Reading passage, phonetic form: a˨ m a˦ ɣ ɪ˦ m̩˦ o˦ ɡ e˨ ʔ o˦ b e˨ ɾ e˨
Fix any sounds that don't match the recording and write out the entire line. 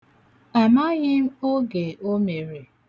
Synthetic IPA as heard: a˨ m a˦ ɣ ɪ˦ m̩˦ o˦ ɡ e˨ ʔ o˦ m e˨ ɾ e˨